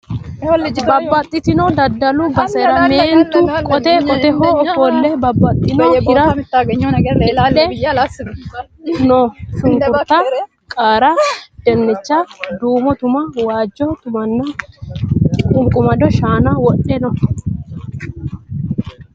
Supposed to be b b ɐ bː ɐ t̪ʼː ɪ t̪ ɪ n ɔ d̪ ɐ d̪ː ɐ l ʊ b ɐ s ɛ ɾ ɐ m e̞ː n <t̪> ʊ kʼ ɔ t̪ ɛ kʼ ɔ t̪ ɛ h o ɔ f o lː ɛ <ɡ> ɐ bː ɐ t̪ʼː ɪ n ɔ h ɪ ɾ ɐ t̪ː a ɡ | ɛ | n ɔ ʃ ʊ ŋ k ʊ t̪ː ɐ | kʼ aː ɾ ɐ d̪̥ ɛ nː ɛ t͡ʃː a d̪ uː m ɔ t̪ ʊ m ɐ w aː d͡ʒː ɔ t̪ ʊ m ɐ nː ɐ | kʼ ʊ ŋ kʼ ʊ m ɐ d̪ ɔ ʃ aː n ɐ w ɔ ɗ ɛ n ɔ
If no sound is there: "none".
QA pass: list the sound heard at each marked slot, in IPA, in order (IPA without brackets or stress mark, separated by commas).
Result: t̪, b